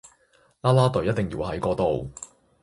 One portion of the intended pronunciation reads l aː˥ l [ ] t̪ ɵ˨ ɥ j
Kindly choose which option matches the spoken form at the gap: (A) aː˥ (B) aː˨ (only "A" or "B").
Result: A